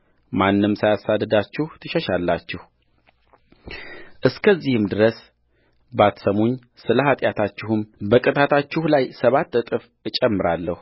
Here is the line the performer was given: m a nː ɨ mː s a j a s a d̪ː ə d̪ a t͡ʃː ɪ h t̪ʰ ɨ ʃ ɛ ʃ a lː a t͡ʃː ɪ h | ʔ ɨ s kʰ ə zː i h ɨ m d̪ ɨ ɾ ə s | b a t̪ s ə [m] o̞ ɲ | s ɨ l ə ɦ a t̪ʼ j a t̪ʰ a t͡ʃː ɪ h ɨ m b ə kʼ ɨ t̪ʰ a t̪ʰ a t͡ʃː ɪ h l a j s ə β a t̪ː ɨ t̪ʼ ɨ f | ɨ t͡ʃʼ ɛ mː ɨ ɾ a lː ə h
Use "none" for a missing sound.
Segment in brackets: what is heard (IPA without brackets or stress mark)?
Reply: m